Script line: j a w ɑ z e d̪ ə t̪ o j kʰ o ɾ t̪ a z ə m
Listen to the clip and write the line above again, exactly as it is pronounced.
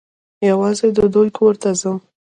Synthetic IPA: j a w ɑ z e d̪ ə d̪ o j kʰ o ɾ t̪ a z ə m